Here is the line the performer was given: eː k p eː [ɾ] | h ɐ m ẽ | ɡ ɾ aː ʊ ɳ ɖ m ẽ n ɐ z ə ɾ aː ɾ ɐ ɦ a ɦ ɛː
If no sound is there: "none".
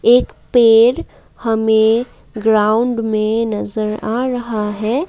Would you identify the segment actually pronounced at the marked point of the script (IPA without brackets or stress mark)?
ɾ